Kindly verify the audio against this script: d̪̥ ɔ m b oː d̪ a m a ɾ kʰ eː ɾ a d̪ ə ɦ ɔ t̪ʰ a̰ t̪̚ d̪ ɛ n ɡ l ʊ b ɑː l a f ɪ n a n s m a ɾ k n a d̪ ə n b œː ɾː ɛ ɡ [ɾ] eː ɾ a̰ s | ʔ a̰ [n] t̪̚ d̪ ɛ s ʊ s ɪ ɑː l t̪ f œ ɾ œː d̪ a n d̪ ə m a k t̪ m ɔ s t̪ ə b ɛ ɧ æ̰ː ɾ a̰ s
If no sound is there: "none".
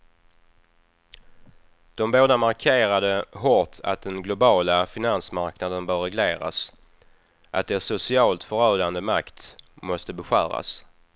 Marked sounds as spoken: l, none

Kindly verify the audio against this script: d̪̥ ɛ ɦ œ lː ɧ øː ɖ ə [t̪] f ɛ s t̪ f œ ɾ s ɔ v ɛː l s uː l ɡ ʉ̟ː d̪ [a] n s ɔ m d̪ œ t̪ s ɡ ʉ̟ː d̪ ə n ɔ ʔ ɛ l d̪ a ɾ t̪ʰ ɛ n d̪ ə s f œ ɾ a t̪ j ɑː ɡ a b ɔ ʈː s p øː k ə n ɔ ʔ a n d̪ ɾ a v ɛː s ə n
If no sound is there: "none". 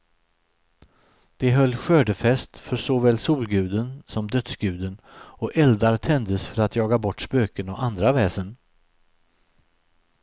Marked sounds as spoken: none, ə

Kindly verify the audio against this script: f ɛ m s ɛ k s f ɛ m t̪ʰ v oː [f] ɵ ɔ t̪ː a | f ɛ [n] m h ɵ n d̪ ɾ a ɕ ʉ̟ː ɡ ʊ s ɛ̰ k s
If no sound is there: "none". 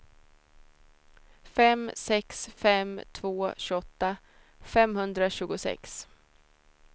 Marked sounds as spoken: ɕ, none

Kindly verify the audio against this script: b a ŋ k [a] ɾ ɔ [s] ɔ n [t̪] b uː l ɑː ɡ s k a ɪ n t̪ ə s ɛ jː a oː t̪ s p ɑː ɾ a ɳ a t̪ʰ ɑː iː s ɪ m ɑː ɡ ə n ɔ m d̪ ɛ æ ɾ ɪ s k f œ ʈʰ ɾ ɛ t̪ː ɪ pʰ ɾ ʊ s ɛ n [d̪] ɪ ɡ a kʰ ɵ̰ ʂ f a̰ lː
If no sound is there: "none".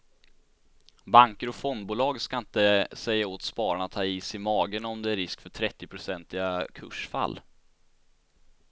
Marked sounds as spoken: ə, f, d̪, t̪

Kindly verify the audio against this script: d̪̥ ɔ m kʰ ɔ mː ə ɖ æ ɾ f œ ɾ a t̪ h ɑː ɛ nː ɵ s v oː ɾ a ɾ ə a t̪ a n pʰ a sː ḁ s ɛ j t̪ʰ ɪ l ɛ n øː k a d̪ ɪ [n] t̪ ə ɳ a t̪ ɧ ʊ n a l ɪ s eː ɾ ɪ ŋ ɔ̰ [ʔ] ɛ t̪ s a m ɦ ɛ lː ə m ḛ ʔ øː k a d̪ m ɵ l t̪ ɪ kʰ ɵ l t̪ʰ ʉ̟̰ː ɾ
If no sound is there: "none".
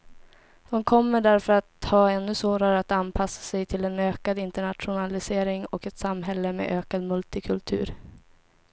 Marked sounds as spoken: n, k

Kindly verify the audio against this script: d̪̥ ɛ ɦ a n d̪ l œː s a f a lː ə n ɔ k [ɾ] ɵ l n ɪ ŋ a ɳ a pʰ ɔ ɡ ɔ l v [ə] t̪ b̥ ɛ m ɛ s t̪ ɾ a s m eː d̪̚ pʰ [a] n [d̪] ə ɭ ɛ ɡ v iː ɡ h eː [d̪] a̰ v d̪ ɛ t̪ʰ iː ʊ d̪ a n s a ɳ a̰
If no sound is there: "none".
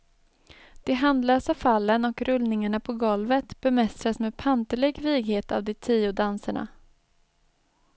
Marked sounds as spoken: ɾ, ə, a, t̪, t̪

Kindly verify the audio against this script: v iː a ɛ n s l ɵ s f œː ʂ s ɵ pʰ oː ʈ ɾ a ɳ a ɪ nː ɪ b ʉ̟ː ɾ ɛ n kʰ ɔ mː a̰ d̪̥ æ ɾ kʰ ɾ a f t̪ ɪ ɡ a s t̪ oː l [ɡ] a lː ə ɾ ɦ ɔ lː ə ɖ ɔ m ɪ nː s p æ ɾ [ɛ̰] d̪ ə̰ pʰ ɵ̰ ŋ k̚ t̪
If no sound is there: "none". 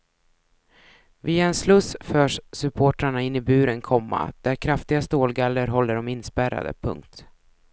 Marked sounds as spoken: ɡ, a̰

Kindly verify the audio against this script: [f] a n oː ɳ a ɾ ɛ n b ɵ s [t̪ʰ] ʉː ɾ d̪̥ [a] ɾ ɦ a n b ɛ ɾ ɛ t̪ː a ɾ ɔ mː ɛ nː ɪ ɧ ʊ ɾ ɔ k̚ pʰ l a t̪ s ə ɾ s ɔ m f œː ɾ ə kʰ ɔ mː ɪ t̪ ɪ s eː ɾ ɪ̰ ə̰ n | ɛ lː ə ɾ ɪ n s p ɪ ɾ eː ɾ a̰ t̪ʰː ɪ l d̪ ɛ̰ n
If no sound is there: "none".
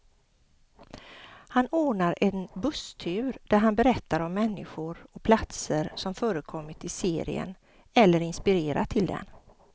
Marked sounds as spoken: h, t̪ʰ, æ

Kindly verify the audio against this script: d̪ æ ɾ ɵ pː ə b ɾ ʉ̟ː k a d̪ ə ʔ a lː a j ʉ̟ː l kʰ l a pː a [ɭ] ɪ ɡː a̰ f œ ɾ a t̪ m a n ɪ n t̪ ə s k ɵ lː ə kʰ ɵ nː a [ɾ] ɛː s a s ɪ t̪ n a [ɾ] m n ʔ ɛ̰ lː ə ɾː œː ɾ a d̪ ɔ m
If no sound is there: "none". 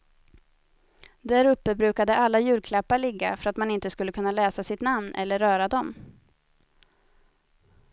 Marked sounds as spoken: ɭ, l, none

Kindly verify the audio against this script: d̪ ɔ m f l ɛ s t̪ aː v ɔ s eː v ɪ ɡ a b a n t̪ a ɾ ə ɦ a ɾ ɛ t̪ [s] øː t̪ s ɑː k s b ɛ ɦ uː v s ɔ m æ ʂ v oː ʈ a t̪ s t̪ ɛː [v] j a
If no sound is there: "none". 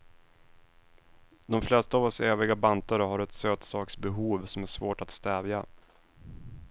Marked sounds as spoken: s, v

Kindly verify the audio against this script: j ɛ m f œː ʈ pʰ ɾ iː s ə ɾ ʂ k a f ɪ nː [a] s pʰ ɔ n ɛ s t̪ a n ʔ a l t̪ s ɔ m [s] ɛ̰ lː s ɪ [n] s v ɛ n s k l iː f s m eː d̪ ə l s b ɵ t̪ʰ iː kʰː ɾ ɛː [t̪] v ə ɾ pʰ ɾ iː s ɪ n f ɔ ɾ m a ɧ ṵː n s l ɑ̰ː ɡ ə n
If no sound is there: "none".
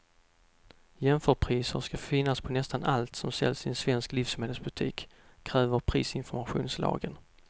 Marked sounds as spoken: a, s, n, none

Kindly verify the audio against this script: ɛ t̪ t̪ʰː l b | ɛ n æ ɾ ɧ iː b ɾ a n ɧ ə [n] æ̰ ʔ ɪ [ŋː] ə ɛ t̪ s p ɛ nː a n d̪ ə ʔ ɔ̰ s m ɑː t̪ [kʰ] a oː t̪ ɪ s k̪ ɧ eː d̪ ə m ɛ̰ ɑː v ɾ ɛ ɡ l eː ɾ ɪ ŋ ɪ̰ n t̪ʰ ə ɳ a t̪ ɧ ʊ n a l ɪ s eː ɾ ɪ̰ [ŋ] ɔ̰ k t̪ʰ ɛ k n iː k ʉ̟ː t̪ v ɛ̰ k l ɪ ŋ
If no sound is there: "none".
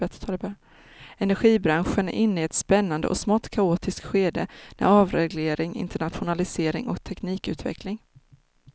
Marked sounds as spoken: n, nː, kʰ, ŋ

